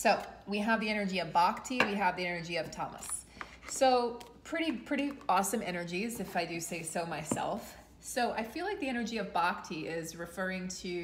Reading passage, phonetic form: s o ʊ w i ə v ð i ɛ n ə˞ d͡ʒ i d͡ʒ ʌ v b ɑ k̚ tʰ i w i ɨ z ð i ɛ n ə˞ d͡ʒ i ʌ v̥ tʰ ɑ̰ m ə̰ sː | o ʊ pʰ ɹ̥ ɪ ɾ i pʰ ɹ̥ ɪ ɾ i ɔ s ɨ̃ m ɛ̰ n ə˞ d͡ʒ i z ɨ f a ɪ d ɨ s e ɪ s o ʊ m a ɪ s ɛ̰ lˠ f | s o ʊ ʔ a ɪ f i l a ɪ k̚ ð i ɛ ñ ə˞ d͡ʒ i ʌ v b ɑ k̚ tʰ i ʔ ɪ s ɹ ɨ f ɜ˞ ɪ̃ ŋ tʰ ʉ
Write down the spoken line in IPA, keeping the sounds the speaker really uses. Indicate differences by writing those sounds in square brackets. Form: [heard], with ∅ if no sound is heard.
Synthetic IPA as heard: s o ʊ w i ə v ð i ɛ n ə˞ d͡ʒ i [∅] ʌ v b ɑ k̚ tʰ i w i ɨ [v] ð i ɛ n ə˞ d͡ʒ i ʌ v̥ tʰ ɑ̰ m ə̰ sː | o ʊ pʰ ɹ̥ ɪ ɾ i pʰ ɹ̥ ɪ ɾ i ɔ s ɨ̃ m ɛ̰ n ə˞ d͡ʒ i z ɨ f a ɪ d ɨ s e ɪ s o ʊ m a ɪ s ɛ̰ lˠ f | s o ʊ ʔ a ɪ f i l a ɪ k̚ ð i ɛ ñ ə˞ d͡ʒ i ʌ v b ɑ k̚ tʰ i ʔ ɪ [z] ɹ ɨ f ɜ˞ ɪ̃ ŋ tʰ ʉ